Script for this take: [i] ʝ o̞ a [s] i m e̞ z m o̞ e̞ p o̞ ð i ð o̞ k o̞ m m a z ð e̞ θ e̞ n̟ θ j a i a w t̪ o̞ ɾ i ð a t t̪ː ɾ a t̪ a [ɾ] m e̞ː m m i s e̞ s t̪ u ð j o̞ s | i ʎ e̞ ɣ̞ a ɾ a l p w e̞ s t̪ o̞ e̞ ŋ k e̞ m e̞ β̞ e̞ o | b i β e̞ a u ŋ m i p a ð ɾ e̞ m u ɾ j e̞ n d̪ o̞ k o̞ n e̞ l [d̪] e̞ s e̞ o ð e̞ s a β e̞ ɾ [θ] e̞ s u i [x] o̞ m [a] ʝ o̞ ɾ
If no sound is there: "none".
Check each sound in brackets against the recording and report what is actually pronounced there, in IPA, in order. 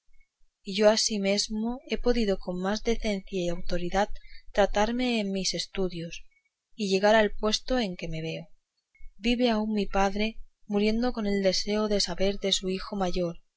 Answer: i, s, ɾ, d̪, ð, x, a

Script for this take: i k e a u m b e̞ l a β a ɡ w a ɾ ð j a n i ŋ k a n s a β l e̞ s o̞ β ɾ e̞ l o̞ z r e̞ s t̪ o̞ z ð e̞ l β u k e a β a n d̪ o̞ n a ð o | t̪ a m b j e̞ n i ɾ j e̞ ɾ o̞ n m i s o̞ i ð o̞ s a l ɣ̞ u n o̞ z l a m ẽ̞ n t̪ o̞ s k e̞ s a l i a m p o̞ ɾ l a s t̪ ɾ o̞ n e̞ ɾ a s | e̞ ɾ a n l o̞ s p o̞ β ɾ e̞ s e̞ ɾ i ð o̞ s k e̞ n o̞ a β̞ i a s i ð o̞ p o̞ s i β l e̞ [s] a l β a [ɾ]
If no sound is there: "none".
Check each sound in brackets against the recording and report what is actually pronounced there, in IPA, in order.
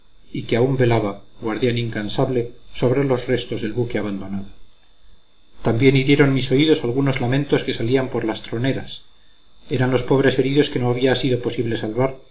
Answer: s, ɾ

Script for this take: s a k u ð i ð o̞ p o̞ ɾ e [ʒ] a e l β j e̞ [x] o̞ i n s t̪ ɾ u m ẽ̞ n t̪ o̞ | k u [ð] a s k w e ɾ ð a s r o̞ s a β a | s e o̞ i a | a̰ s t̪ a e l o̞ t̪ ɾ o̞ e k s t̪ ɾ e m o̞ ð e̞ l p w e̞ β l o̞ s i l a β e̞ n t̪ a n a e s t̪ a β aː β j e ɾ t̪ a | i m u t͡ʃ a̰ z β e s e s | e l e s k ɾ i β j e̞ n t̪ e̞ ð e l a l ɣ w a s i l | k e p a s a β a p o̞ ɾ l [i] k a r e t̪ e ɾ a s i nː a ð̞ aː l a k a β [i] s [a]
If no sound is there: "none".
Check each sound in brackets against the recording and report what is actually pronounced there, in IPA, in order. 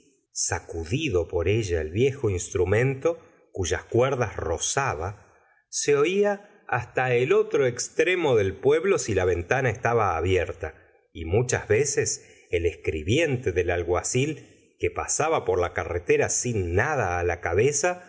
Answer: ʒ, x, ʒ, a, e, a

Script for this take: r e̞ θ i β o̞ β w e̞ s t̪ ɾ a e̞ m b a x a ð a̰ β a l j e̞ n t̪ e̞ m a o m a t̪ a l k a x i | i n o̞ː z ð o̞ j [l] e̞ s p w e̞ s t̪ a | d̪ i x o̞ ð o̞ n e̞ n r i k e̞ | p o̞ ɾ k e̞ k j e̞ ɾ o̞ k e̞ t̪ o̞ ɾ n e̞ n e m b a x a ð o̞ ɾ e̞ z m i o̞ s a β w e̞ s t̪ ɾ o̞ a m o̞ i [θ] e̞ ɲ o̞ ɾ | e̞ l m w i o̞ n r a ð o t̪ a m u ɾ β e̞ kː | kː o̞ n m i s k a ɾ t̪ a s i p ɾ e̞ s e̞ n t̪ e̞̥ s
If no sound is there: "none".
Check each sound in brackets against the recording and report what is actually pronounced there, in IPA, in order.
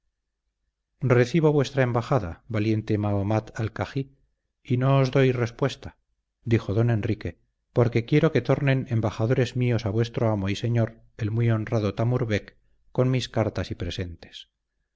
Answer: r, s

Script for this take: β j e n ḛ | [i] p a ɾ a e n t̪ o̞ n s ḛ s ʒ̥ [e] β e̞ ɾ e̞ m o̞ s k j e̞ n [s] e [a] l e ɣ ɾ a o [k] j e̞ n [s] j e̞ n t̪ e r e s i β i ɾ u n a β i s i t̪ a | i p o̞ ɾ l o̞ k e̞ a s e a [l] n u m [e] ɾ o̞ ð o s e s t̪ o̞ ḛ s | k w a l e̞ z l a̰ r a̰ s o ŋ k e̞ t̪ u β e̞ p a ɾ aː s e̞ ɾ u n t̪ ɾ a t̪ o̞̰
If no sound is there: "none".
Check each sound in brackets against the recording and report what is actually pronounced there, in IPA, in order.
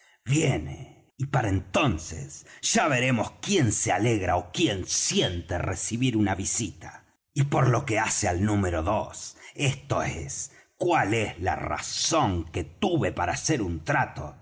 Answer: i, a, s, a, k, s, l, e

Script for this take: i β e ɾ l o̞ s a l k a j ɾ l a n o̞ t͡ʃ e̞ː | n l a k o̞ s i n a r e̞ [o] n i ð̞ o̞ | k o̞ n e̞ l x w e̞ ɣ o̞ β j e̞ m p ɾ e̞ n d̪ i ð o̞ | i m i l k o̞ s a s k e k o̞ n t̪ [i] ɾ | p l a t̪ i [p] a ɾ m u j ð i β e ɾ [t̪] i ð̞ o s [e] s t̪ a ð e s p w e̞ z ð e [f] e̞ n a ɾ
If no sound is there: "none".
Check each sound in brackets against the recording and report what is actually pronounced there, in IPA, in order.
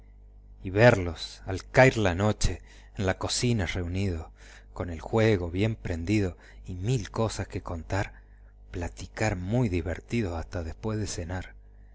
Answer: u, a, k, t̪, a, s

